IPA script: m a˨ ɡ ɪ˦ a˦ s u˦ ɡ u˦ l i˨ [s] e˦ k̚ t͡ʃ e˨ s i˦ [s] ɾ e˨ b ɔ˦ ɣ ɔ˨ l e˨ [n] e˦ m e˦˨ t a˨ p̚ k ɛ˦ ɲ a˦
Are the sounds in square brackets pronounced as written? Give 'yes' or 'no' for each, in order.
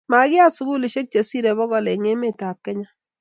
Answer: no, no, no

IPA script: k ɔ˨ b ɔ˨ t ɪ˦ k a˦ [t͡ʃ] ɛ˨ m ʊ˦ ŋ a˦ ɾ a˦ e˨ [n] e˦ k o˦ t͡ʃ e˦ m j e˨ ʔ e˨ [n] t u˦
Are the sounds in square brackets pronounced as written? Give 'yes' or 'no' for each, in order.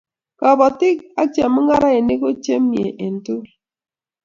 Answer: yes, yes, yes

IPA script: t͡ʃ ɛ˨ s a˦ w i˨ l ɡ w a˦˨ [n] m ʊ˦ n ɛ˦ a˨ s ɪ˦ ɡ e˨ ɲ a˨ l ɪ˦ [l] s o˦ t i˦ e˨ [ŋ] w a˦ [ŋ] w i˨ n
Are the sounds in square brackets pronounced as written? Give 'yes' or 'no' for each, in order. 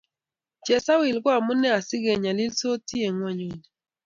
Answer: no, yes, yes, no

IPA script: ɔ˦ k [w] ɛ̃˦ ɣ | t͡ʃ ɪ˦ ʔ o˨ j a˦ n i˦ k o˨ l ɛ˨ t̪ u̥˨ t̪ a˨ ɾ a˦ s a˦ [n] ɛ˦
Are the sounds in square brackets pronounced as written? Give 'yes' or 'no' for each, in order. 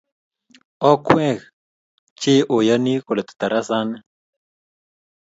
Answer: yes, yes

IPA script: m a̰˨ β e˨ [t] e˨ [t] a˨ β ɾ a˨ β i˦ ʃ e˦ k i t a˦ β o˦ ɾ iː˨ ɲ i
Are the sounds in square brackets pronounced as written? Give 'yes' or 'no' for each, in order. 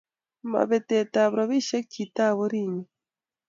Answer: yes, yes

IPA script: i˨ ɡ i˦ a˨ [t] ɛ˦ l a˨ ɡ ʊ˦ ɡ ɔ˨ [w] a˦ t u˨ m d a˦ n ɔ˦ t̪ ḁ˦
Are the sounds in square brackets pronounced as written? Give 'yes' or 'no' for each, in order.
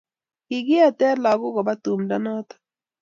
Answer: yes, no

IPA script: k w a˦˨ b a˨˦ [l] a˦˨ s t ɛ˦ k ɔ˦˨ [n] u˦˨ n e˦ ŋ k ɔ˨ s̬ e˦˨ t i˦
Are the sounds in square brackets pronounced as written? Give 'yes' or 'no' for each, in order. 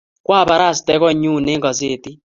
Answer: no, no

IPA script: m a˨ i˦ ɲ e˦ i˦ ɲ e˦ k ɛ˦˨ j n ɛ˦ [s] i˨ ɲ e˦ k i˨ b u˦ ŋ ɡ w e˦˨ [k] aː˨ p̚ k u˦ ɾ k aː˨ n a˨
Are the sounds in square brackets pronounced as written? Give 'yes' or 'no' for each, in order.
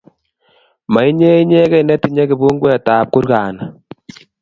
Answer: no, no

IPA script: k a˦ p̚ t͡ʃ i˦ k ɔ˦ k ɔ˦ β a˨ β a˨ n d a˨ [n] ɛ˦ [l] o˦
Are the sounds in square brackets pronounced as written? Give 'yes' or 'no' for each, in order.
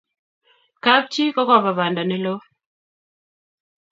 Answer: yes, yes

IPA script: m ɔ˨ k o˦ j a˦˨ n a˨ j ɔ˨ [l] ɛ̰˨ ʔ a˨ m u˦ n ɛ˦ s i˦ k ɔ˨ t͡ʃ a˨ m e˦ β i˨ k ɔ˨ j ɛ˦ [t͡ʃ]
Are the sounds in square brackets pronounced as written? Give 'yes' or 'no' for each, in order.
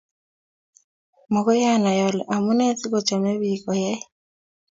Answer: yes, no

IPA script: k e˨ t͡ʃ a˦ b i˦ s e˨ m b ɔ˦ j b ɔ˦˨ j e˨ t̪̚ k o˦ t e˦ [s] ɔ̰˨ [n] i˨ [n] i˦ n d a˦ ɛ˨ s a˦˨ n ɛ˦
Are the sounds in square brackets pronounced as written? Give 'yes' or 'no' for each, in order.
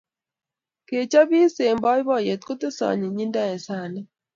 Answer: yes, no, no

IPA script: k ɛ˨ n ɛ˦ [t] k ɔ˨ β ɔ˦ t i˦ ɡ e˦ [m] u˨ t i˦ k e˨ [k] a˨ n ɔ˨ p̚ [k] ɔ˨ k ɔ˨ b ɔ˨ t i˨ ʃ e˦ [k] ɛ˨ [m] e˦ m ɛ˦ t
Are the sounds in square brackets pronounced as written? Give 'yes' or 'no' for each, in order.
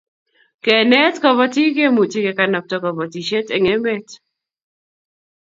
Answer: yes, yes, yes, no, no, no

